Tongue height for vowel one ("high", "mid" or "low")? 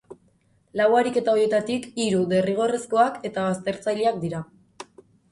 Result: low